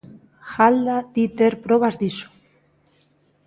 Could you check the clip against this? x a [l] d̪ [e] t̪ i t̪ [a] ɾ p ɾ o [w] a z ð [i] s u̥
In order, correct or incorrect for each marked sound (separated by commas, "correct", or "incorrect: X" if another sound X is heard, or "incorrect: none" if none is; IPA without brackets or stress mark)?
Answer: correct, incorrect: a, incorrect: e, incorrect: β, correct